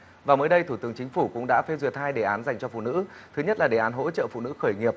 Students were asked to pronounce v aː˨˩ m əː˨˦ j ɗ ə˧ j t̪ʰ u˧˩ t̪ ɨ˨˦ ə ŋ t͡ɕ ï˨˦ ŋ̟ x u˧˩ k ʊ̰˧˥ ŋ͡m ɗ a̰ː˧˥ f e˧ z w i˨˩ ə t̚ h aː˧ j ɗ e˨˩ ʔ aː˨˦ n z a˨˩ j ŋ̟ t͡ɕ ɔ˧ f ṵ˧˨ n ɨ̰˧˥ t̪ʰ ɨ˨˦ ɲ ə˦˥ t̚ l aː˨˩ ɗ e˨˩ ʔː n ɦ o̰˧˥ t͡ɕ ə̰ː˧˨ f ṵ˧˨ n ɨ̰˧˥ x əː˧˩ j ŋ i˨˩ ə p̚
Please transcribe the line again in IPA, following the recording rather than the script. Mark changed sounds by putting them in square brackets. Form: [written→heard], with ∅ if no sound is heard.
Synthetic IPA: v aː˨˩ m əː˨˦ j ɗ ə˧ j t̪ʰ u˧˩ t̪ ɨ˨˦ ə ŋ t͡ɕ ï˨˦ ŋ̟ [x→f] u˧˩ k ʊ̰˧˥ ŋ͡m ɗ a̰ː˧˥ f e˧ z w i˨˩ ə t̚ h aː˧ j ɗ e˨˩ ʔ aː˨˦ n z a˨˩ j ŋ̟ t͡ɕ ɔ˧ f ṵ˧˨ n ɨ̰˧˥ t̪ʰ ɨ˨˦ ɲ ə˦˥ t̚ l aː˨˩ ɗ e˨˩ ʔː n ɦ o̰˧˥ t͡ɕ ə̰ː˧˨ f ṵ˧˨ n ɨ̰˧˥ x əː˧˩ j ŋ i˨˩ ə p̚